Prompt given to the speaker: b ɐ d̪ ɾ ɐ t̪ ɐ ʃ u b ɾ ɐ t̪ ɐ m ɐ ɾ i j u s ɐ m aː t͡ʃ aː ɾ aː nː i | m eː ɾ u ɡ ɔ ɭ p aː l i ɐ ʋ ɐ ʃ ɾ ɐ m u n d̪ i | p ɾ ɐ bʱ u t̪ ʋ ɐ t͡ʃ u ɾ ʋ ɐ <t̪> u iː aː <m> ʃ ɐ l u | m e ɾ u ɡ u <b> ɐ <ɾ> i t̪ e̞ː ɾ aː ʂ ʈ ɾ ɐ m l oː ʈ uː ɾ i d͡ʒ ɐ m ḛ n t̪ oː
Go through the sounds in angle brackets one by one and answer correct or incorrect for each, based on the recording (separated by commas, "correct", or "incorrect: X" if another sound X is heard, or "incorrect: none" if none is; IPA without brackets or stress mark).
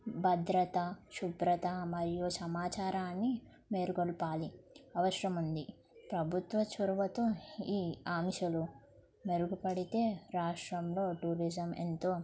correct, correct, incorrect: p, incorrect: ɽ